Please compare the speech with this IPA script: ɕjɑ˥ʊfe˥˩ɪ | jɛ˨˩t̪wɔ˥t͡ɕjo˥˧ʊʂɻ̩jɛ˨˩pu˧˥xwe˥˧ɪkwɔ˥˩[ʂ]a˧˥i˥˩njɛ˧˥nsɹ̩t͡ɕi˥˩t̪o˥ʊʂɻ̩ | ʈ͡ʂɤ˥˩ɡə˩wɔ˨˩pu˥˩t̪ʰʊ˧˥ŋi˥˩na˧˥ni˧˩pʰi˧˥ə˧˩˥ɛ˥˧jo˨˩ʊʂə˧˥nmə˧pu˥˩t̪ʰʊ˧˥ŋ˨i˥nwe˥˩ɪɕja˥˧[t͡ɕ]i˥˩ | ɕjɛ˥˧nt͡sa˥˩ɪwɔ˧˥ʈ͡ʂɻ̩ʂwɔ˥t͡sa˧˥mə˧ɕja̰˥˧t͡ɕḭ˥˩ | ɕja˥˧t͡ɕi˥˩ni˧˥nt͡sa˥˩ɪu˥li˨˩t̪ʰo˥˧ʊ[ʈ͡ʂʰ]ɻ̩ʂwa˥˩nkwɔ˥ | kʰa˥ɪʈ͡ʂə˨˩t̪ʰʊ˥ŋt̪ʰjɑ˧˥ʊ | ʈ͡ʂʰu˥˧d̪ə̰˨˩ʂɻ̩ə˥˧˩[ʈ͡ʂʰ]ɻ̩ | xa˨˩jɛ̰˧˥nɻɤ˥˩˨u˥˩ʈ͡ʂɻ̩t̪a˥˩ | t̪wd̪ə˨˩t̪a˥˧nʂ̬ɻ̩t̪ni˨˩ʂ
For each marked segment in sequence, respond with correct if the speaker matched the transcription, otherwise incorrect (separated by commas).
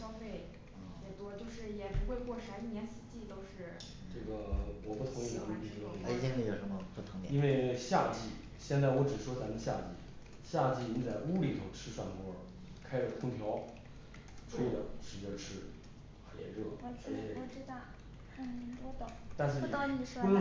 correct, correct, correct, correct